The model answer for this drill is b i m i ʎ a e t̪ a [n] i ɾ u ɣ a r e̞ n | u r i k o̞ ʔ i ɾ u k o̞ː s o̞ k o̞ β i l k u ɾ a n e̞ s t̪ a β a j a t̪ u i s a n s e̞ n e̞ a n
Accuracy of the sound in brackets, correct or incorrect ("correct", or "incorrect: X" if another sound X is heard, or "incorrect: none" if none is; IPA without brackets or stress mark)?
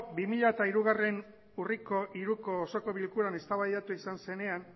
incorrect: none